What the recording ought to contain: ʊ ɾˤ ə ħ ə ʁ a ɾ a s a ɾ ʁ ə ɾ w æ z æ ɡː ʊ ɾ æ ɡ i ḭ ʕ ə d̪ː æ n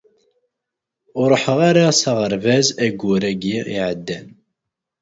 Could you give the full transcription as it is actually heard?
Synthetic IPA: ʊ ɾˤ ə ħ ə ʁ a ɾ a s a ʁ ə ɾ v æ z æ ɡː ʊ ɾ æ ɡ i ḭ ʕ ə d̪ː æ n